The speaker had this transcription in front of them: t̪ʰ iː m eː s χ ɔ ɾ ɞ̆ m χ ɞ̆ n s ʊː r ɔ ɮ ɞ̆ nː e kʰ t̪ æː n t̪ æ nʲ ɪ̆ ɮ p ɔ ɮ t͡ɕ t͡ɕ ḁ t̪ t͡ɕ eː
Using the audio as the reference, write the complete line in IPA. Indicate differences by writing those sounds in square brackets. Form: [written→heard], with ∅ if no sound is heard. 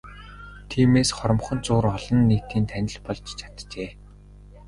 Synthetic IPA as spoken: t̪ʰ iː m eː s χ ɔ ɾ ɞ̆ m χ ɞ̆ n [s→t͡s] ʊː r ɔ ɮ ɞ̆ nː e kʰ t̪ [æː→iː] n [t̪→t̪ʰ] æ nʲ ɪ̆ ɮ p ɔ ɮ t͡ɕ [t͡ɕ→t͡ɕʰ] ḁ t̪ t͡ɕ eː